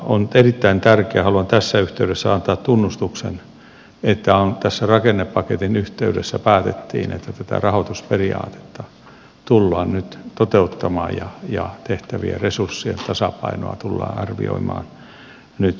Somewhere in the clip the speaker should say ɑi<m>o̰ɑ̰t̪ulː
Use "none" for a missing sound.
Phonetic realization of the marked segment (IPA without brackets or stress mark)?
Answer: n